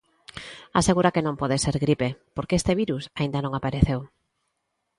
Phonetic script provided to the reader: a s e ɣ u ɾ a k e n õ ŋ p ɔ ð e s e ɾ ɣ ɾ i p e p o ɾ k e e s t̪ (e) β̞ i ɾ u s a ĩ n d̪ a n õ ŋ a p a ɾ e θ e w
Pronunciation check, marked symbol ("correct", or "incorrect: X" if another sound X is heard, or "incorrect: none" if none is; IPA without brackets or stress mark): correct